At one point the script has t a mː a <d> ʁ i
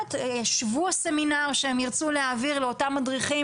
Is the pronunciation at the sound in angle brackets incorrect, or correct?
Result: correct